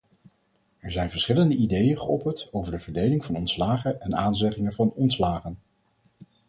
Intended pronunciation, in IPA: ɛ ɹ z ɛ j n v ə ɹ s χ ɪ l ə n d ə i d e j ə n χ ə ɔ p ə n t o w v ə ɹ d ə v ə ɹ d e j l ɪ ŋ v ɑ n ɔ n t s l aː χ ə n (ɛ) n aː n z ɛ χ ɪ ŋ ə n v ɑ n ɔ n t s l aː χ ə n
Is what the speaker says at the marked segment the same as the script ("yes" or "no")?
yes